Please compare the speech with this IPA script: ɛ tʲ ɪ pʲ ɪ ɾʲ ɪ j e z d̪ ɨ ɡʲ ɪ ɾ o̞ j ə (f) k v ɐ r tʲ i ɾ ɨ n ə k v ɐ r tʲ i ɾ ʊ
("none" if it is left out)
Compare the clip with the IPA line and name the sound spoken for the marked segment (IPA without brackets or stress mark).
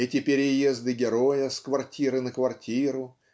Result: s